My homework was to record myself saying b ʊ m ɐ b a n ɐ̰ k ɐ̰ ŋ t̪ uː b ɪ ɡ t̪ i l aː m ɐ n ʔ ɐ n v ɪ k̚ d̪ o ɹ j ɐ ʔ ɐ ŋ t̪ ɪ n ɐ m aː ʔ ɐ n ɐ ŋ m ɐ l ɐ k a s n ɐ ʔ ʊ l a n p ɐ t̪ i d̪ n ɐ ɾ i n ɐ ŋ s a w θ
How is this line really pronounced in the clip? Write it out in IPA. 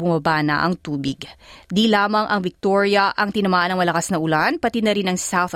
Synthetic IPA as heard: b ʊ m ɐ b a n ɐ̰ ʔ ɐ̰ ŋ t̪ uː b ɪ ɡ d̪ i l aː m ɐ ŋ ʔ ɐ ŋ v ɪ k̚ t̪ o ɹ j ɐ ʔ ɐ ŋ t̪ ɪ n ɐ m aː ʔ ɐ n ɐ ŋ m ɐ l ɐ k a s n ɐ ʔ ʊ l a n p ɐ t̪ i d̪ n ɐ ɾ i n ɐ ŋ s a w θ